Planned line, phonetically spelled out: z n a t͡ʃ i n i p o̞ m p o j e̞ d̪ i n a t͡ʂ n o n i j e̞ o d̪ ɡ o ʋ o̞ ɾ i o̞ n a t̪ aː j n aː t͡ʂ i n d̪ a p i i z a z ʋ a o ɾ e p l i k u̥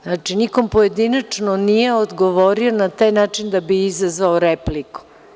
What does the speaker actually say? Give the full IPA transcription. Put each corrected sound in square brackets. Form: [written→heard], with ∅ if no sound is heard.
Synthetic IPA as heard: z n a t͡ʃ i n i [p→k] o̞ m p o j e̞ d̪ i n a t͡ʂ n o n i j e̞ o d̪ ɡ o ʋ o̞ ɾ i o̞ n a t̪ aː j n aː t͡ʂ i n d̪ a [p→b] i i z a z ʋ a o ɾ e p l i k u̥